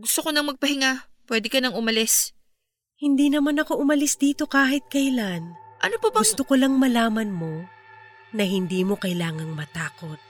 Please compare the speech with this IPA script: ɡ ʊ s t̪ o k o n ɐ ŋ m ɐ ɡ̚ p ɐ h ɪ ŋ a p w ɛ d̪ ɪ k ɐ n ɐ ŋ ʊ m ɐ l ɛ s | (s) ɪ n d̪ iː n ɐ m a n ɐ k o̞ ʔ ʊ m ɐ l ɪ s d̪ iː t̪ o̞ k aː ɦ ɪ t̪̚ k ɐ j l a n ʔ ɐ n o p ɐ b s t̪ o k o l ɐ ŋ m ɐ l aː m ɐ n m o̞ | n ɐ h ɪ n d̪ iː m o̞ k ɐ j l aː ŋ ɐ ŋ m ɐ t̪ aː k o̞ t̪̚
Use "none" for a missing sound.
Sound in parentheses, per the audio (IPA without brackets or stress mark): h